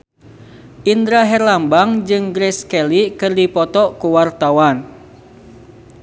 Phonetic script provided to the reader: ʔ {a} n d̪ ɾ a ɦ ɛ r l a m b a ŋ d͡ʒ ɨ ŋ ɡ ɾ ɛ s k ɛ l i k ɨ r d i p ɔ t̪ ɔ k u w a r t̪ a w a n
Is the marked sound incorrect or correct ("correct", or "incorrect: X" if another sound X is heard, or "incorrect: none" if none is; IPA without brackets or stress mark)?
incorrect: i